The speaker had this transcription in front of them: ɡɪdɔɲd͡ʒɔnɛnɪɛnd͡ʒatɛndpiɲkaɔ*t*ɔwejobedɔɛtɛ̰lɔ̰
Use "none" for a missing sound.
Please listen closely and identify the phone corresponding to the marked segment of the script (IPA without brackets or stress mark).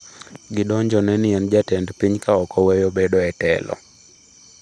k